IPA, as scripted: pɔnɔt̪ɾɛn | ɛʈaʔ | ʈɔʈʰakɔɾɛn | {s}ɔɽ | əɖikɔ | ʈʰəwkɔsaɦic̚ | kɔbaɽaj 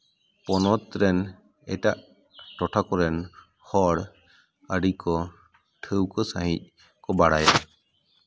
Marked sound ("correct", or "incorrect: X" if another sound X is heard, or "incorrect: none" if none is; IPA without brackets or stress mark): incorrect: h